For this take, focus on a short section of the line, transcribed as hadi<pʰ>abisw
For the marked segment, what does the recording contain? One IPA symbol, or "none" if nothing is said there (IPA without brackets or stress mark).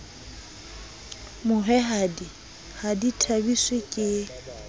tʰ